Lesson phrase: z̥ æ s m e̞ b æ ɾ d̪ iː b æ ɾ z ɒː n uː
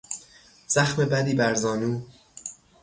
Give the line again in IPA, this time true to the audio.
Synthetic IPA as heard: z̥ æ x m e̞ b æ d̪ iː b æ ɾ z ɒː n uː

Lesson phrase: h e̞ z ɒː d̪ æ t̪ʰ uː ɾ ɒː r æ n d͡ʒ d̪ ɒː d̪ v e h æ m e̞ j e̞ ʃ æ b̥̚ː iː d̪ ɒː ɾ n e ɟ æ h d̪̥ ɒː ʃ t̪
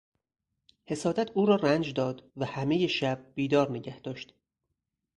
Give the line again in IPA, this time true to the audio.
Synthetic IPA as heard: h e̞ s ɒː d̪ æ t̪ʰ uː ɾ ɒː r æ n d͡ʒ d̪ ɒː d̪ v æ h æ m e̞ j e̞ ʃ æ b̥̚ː iː d̪ ɒː ɾ n e ɟ æ h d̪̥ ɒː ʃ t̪

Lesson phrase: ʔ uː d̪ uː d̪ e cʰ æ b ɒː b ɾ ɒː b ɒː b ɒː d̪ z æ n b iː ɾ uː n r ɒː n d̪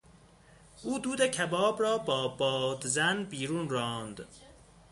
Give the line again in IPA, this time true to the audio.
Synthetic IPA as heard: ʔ uː d̪ uː d̪ e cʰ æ b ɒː b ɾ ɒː b ɒː b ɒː d̪ z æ n b iː ɾ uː n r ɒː n d̪

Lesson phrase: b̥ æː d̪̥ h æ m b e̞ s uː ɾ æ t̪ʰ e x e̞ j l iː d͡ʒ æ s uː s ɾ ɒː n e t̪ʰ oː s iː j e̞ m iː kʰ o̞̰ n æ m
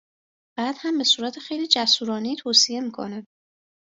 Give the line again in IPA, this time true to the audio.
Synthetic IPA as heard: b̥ æː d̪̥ h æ m b e̞ s uː ɾ æ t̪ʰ e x e̞ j l iː d͡ʒ æ s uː ɾ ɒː n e t̪ʰ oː s i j e̞ m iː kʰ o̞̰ n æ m

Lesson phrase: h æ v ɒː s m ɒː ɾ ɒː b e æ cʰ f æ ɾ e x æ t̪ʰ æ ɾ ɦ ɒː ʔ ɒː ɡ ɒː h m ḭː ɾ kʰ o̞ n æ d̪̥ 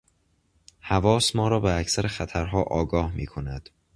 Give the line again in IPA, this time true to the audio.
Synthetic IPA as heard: h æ v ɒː s m ɒː ɾ ɒː b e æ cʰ s æ ɾ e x æ t̪ʰ æ ɾ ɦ ɒː ʔ ɒː ɡ ɒː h m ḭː kʰ o̞ n æ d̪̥

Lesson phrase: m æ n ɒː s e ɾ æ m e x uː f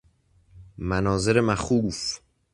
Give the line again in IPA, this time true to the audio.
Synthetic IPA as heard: m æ n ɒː z e ɾ e m æ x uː f

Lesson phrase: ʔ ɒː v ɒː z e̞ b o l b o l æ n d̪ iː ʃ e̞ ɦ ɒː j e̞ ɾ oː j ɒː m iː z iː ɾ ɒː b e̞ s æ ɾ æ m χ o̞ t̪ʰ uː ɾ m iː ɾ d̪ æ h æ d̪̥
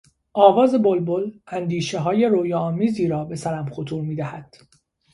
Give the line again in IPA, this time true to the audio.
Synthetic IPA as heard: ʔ ɒː v ɒː z e̞ b o l b o l æ n d̪ iː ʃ e̞ ɦ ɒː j e̞ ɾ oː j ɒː m iː z iː ɾ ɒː b e̞ s æ ɾ æ m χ o̞ t̪ʰ uː ɾ m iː d̪ æ h æ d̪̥

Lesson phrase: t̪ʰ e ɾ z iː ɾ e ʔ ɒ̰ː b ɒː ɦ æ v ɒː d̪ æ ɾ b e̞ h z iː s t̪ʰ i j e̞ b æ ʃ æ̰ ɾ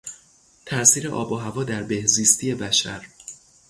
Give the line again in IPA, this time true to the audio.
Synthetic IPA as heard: t̪ʰ æ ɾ s iː ɾ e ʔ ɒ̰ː b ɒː ɦ æ v ɒː d̪ æ ɾ b e̞ h z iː s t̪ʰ i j e̞ b æ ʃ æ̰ ɾ

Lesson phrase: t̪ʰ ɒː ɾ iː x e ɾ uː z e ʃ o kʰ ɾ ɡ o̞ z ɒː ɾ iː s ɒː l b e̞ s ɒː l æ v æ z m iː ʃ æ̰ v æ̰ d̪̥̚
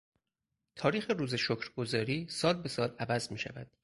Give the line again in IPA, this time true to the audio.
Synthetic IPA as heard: t̪ʰ ɒː ɾ iː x e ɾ uː z e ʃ o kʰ ɾ ɡ o̞ z ɒː ɾ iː s ɒː l b e̞ s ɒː l æ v æ z m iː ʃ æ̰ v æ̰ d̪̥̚

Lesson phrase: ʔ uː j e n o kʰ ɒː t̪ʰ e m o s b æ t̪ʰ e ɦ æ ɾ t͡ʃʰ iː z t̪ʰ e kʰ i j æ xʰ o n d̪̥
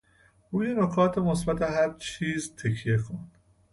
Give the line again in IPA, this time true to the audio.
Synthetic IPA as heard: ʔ uː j e n o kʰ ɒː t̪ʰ e m o s b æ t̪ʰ e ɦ æ ɾ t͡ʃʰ iː z t̪ʰ e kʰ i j e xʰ o n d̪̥

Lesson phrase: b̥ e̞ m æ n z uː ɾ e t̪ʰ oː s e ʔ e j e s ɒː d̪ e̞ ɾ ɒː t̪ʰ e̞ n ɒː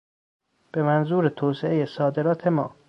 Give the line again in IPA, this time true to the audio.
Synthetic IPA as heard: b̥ e̞ m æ n z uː ɾ e t̪ʰ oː s e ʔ e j e s ɒː d̪ e̞ ɾ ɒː t̪ʰ e̞ m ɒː

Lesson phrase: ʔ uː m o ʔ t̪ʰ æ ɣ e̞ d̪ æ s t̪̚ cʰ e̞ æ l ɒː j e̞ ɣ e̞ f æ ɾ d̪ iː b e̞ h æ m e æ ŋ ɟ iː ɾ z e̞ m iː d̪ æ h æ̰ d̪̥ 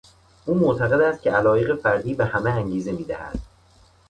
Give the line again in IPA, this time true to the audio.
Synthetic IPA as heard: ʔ uː m o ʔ t̪ʰ æ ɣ e̞ d̪ æ s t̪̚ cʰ e̞ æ l ɒː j e̞ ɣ e̞ f æ ɾ d̪ iː b e̞ h æ m e æ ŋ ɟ iː z e̞ m iː d̪ æ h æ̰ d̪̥

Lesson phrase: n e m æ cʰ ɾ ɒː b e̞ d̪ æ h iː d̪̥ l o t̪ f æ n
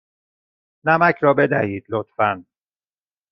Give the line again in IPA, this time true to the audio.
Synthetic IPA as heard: n æ m æ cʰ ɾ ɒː b e̞ d̪ æ h iː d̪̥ l o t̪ f æ n

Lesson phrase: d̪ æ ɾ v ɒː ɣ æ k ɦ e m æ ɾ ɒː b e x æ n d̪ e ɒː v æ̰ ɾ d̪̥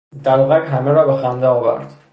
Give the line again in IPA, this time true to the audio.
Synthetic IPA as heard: d̪ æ ɾ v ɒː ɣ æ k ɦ æ m e ɾ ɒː b e x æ n d̪ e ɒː v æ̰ ɾ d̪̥

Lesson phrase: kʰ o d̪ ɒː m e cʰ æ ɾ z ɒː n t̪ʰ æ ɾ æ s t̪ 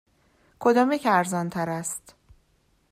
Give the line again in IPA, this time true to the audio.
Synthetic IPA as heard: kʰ o d̪ ɒː m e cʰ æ ɾ z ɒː n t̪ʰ æ ɾ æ s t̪

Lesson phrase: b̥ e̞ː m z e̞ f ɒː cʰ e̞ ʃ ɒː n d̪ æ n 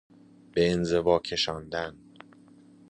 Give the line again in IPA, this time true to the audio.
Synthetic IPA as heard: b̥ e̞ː n z e̞ v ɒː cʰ e̞ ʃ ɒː n d̪ æ n

